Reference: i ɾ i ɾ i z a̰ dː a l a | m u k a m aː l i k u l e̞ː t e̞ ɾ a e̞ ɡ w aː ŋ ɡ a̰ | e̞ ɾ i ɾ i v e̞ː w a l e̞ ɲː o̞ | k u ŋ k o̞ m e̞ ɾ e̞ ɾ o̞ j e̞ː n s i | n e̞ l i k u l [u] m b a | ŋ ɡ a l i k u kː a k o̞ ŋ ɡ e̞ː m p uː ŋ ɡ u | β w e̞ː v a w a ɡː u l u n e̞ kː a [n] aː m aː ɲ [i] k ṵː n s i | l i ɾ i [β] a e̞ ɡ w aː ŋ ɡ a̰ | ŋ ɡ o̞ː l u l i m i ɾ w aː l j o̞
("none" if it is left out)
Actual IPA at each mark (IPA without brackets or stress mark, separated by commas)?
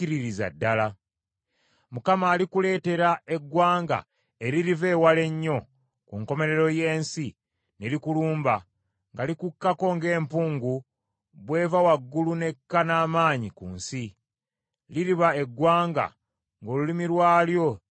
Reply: uː, n, i, β